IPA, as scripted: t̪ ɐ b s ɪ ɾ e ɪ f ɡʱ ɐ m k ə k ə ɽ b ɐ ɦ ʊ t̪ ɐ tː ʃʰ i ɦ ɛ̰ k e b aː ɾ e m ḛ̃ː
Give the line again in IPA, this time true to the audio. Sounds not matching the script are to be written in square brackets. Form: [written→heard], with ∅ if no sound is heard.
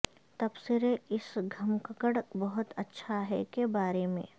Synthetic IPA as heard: t̪ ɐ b s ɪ ɾ e ɪ [f→s] ɡʱ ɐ m k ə k ə ɽ b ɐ ɦ ʊ t̪ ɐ tː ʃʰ [i→a] ɦ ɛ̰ k e b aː ɾ e m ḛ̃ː